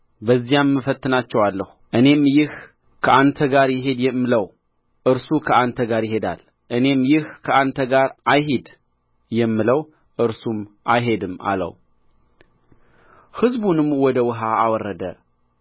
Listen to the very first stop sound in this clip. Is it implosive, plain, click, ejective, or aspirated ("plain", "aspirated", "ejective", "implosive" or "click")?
plain